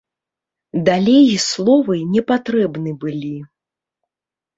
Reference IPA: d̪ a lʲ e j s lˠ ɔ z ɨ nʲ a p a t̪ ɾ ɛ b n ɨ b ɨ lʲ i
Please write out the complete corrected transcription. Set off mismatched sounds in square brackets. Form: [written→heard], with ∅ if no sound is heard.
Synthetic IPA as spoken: d̪ a lʲ e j s lˠ ɔ [z→v] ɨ nʲ [a→ɛ] p a t̪ ɾ ɛ b n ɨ b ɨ lʲ i